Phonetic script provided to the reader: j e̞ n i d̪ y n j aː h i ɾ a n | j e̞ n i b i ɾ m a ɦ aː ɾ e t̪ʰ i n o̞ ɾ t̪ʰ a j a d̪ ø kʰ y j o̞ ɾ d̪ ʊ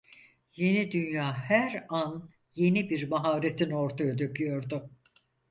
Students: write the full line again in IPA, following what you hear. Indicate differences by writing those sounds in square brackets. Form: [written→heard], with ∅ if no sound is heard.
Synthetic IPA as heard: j e̞ n i d̪ y n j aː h [i→æ] ɾ a n | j e̞ n i b i ɾ m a ɦ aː ɾ e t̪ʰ i n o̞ ɾ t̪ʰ a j a d̪ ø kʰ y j o̞ ɾ d̪ ʊ